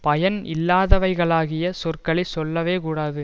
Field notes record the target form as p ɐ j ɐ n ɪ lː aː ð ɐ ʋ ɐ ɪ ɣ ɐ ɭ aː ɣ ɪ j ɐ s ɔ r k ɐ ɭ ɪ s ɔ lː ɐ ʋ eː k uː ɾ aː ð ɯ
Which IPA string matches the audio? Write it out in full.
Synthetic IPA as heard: p ɐ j ɐ n ɪ lː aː ð ɐ ʋ ɐ ɪ ɣ ɐ ɭ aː ɣ ɪ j ɐ s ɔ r k ɐ ɭ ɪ s ɔ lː ɐ ʋ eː k uː ɽ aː ð ɯ